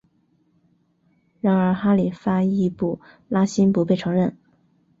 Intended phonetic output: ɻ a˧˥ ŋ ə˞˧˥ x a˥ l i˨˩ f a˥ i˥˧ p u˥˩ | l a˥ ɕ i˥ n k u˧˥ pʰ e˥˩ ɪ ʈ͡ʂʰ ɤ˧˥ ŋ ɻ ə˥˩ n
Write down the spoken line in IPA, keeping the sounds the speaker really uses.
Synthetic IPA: ɻ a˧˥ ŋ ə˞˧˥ x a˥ l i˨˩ f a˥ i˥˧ p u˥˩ | l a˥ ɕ i˥ n p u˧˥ p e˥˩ ɪ ʈ͡ʂʰ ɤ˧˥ ŋ ɻ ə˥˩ n